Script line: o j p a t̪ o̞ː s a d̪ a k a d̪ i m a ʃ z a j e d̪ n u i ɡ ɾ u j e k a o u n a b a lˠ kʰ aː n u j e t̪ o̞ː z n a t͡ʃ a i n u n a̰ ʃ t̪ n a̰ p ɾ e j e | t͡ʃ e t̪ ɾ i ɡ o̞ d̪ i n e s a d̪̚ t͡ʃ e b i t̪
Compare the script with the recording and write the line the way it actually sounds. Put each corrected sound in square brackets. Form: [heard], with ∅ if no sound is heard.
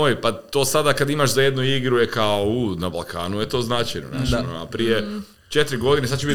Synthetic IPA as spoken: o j p a t̪ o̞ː s a d̪ a k a d̪ i m a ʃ z a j e d̪ n u i ɡ ɾ u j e k a o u n a b a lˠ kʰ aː n u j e t̪ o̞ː z n a t͡ʃ a [j] n [o] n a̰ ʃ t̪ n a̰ p ɾ [i] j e | t͡ʃ e t̪ ɾ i ɡ o̞ d̪ i n e s a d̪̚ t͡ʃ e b i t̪